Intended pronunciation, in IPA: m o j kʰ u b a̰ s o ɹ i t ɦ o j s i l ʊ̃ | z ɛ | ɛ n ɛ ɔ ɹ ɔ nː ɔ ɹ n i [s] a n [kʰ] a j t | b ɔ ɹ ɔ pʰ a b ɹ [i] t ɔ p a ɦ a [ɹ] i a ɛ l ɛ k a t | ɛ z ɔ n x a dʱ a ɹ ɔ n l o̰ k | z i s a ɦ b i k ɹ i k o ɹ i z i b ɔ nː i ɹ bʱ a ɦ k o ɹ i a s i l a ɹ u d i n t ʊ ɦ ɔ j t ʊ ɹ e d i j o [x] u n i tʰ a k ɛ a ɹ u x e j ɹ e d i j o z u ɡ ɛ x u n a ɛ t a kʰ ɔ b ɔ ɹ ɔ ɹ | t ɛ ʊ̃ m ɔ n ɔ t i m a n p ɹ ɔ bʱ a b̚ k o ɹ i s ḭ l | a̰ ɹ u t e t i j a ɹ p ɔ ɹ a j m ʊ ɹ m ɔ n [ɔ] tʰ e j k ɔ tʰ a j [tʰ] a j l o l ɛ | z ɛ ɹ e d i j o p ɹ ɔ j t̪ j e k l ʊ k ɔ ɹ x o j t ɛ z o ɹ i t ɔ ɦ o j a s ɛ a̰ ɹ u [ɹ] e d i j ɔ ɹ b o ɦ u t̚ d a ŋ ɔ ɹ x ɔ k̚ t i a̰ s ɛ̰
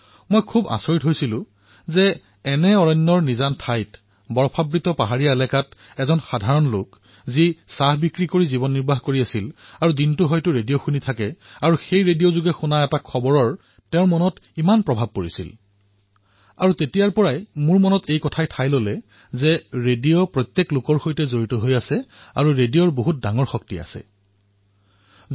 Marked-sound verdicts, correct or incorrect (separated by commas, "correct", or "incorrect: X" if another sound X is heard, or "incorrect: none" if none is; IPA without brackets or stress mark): incorrect: z, incorrect: tʰ, correct, correct, correct, correct, correct, correct